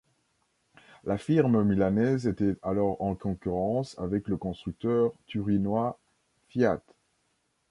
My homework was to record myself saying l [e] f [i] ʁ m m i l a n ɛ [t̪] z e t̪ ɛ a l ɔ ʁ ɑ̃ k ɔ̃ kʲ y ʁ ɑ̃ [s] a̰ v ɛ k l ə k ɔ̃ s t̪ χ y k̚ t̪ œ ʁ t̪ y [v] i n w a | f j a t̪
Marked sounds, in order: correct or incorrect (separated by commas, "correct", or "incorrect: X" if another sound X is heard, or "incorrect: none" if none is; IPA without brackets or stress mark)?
incorrect: a, correct, incorrect: none, correct, incorrect: ʁ